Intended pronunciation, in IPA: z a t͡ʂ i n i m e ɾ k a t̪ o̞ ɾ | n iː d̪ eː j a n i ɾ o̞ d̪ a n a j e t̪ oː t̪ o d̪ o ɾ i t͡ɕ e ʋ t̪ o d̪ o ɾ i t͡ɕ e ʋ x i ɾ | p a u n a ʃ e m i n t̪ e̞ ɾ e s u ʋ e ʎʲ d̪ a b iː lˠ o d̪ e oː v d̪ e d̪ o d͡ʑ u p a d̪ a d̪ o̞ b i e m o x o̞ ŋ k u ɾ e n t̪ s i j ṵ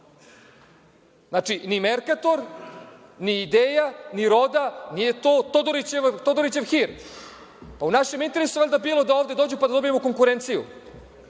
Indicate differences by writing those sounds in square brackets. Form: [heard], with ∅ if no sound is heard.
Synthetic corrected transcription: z a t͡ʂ i n i m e ɾ k a t̪ o̞ ɾ | n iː d̪ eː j a n i ɾ o̞ d̪ a n [i] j e t̪ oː t̪ o d̪ o ɾ i t͡ɕ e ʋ t̪ o d̪ o ɾ i t͡ɕ e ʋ x i ɾ | p a u n a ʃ e m i n t̪ e̞ ɾ e s u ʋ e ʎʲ d̪ a b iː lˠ o d̪ [a] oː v d̪ e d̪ o d͡ʑ u p a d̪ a d̪ o̞ b i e m o [k] o̞ ŋ k u ɾ e n t̪ s i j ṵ